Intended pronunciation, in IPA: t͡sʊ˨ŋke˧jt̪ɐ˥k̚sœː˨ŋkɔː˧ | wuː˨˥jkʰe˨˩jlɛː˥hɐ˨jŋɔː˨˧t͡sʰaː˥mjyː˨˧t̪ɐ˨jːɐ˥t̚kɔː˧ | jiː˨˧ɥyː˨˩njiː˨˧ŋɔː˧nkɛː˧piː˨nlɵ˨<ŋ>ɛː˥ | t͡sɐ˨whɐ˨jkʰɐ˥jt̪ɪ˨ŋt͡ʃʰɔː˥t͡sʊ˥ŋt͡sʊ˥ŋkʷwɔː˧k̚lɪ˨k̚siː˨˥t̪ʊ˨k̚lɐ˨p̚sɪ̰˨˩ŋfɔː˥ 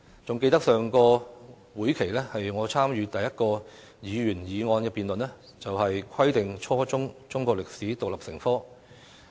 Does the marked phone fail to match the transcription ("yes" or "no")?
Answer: yes